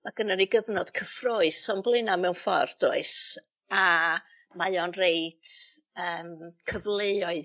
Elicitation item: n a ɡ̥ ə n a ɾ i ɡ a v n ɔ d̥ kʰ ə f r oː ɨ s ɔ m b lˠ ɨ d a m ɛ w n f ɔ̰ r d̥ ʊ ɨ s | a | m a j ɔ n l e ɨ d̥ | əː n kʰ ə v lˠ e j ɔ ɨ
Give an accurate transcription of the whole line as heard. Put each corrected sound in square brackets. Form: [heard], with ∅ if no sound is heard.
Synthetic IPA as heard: [m] a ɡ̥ ə n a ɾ i ɡ [ə] v n ɔ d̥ kʰ ə f r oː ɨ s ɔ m b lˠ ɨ [n] a m ɛ w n f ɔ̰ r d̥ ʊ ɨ s | a | m a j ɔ n [r] e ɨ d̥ | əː [m] kʰ ə v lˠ e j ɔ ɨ